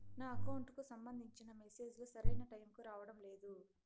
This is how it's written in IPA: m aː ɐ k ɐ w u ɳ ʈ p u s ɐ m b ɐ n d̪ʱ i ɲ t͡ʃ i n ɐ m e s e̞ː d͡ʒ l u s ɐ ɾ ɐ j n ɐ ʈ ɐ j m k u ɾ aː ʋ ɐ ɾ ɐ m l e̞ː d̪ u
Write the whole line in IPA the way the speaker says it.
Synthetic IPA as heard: n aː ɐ k ɐ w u ɳ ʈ k u s ɐ m b ɐ n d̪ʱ i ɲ t͡ʃ i n ɐ m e s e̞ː d͡ʒ l u s ɐ ɾ ɐ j n ɐ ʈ ɐ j m k u ɾ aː ʋ ɐ ɽ ɐ m l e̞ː d̪ u